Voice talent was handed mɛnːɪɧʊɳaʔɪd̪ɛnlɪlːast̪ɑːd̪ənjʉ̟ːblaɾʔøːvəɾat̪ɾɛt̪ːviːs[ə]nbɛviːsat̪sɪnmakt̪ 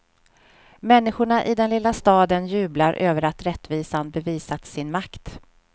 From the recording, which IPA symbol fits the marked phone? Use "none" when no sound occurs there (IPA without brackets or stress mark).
a